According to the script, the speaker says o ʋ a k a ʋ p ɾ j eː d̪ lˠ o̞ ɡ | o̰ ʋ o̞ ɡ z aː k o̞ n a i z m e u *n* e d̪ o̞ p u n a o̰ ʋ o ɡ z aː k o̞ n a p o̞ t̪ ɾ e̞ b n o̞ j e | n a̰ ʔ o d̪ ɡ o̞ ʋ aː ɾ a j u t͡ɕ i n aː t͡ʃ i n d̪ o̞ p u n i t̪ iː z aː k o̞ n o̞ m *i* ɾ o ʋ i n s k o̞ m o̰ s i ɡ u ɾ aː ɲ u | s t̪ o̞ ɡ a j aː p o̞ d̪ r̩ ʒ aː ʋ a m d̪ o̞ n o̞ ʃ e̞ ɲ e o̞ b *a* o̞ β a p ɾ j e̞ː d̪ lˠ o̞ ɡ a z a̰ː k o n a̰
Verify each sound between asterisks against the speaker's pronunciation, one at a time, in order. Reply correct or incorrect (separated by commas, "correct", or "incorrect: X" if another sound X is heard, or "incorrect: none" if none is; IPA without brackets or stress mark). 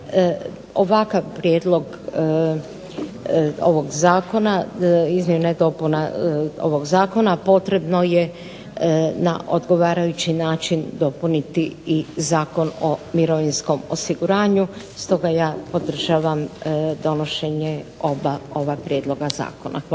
correct, correct, correct